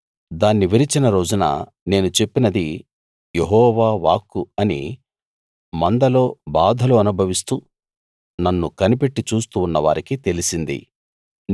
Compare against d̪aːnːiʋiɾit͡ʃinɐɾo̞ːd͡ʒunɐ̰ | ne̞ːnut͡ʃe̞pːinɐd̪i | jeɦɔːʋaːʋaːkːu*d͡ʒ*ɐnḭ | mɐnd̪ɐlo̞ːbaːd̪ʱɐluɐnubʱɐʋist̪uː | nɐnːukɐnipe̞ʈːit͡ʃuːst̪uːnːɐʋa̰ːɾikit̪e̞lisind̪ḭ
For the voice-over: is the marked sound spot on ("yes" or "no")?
no